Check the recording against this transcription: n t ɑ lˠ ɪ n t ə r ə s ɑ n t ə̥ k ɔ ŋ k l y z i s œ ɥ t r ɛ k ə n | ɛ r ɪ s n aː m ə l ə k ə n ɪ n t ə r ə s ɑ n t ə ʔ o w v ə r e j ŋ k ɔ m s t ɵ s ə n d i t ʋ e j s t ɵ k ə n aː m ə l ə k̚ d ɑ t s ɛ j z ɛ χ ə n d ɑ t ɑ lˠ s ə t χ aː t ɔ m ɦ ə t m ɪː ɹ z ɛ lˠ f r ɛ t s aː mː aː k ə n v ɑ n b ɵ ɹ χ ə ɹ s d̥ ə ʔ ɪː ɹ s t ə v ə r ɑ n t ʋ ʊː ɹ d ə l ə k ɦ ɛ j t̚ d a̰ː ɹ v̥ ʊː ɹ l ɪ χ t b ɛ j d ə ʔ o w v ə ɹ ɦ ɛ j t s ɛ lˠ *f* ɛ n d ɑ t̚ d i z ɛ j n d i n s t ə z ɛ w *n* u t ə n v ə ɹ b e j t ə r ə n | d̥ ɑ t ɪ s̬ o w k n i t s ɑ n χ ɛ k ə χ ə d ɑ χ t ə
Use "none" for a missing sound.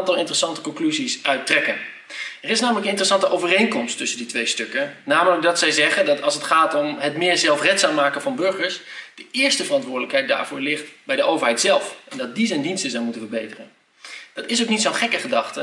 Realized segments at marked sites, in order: f, m

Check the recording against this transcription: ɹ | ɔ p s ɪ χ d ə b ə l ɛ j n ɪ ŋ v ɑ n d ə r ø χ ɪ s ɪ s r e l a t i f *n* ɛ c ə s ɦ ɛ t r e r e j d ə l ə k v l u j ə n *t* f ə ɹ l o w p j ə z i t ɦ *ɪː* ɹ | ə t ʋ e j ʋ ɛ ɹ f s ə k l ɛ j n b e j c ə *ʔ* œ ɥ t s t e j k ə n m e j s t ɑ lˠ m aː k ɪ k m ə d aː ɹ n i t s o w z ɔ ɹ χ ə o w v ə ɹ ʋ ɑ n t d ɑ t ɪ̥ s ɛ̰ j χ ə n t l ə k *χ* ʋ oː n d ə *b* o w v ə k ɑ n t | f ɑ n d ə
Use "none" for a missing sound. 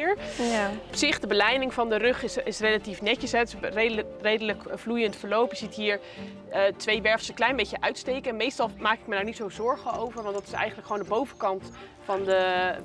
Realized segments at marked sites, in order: n, t, iː, ʔ, χ, b

